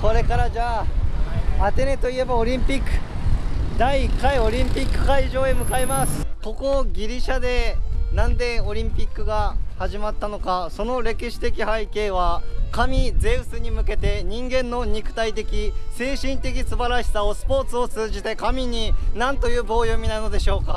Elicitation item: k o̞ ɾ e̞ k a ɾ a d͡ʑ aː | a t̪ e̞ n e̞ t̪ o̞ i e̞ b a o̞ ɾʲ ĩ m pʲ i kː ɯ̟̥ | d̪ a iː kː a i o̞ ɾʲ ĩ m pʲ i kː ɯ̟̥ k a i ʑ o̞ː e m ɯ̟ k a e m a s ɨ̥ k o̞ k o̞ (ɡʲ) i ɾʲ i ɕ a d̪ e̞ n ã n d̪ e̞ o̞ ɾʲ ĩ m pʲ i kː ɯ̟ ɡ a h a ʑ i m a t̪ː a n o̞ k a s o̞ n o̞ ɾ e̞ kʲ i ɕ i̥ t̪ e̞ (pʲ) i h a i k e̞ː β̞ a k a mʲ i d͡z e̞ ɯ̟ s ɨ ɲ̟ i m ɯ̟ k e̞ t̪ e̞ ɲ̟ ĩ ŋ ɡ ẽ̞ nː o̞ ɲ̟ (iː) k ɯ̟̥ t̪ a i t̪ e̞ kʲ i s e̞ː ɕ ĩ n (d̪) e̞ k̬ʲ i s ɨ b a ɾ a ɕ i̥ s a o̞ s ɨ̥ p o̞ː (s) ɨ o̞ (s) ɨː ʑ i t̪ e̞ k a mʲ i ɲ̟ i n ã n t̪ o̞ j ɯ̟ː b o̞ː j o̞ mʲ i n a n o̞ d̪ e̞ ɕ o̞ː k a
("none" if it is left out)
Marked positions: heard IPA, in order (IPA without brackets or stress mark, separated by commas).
ɡʲ, kʲ, i, t̪, t͡s, t͡s